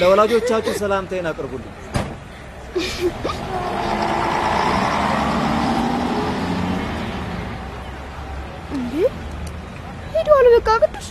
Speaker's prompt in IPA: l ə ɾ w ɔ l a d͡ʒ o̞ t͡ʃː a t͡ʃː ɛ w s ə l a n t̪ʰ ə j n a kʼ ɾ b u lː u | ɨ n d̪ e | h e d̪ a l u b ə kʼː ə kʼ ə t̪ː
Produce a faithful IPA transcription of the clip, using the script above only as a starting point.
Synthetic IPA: l ə w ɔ l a d͡ʒ o̞ t͡ʃː a t͡ʃː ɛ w s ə l a m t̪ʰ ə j n a kʼ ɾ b u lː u | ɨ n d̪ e | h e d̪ a l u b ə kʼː a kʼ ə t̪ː